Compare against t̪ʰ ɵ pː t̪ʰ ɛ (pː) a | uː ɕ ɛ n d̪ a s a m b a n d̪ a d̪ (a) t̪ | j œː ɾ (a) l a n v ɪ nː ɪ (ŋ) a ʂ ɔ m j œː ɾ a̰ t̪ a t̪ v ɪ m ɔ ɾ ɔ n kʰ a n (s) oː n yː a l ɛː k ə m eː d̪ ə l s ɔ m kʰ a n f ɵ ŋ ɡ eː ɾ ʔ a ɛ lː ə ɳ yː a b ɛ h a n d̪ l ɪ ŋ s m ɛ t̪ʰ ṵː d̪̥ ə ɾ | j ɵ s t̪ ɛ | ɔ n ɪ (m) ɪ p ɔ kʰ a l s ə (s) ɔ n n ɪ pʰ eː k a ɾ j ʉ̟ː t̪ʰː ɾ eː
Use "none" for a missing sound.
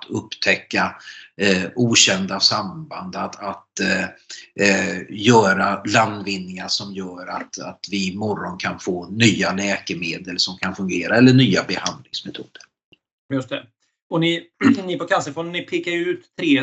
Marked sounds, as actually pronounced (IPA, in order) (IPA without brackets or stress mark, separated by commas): kː, a, a, ŋ, f, n, f